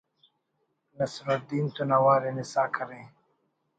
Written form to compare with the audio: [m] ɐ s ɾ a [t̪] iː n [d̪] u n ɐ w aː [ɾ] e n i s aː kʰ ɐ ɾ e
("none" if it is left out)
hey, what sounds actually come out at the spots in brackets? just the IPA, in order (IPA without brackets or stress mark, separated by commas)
n, d̪, t̪, ɾ